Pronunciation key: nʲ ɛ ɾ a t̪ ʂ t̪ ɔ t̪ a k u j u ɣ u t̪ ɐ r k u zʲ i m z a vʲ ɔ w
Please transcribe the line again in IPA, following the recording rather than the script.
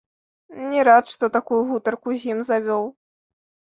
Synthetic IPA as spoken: nʲ ɛ ɾ a t̪ ʂ t̪ ɔ t̪ a k u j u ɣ u t̪ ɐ r k u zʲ i m z a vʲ ɔ w